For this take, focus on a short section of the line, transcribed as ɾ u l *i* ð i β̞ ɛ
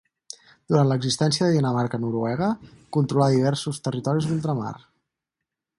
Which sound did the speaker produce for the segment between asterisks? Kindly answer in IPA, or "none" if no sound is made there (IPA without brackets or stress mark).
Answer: a